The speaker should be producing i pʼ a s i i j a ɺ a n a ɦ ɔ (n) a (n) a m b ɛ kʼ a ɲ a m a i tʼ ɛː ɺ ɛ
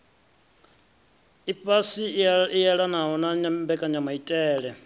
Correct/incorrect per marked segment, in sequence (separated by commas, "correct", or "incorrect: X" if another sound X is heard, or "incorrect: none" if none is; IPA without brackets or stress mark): correct, incorrect: ɲ